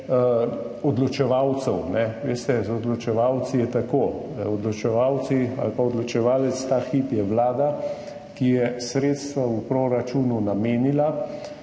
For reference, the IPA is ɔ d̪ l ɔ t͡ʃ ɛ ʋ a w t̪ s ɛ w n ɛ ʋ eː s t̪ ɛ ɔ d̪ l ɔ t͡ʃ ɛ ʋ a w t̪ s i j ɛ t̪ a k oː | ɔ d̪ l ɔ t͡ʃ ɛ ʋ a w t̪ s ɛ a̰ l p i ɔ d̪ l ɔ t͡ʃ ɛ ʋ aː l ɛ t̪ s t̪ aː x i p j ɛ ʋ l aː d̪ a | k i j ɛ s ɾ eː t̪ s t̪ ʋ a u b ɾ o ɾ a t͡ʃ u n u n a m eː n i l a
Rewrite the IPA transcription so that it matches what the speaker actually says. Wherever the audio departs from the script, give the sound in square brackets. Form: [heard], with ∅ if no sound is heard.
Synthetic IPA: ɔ d̪ l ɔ t͡ʃ ɛ ʋ a w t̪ s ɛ w n ɛ ʋ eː s t̪ ɛ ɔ d̪ l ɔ t͡ʃ ɛ ʋ a w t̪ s i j ɛ t̪ a k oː | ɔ d̪ l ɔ t͡ʃ ɛ ʋ a w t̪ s [i] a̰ l p [a] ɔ d̪ l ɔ t͡ʃ ɛ ʋ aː l ɛ t̪ s t̪ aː x i p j ɛ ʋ l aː d̪ a | k i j ɛ s ɾ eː t̪ s t̪ ʋ a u [p] ɾ o ɾ a t͡ʃ u n u n a m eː n i l a